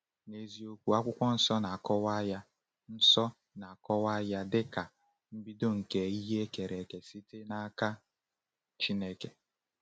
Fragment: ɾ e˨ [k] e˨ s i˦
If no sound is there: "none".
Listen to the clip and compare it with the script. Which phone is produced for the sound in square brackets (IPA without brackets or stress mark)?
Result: k